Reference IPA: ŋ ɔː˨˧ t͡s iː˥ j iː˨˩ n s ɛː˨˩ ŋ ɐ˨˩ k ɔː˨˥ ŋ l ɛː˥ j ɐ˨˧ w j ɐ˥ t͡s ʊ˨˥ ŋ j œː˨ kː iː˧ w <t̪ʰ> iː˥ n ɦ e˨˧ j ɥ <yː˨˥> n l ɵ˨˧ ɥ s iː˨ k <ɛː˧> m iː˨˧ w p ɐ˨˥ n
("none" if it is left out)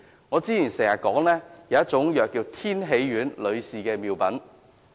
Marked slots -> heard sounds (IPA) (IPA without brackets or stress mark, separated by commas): t̪ʰ, yː˨˥, ɛː˧